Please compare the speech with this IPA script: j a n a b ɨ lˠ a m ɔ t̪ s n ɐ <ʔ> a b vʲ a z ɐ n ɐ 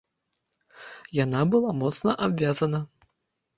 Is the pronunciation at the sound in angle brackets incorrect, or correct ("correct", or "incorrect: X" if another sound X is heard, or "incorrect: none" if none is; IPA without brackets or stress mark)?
correct